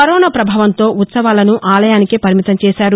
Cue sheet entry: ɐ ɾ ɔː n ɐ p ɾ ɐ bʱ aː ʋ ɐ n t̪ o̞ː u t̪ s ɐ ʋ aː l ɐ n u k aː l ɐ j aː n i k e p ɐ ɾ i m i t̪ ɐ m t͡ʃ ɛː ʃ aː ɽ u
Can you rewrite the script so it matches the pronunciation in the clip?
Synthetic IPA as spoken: ɐ ɾ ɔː n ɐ p ɾ ɐ bʱ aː ʋ ɐ n t̪ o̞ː u t̪ s ɐ ʋ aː l ɐ n u ʔ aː l ɐ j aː n i k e p ɐ ɾ i m i t̪ ɐ m t͡ʃ ɛː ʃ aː ɾ u